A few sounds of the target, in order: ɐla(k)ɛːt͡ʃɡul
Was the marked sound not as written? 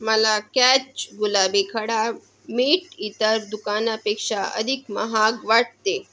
no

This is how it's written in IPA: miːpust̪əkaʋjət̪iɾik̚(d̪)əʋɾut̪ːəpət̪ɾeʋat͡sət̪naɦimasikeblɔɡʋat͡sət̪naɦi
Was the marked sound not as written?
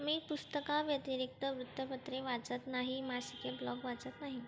yes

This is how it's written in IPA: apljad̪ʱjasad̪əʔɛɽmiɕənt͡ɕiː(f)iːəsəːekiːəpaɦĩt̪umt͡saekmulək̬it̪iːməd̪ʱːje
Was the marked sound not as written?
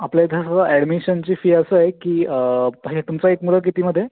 no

